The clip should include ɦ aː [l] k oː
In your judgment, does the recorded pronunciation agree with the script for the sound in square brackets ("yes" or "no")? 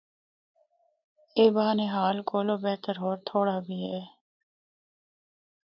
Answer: yes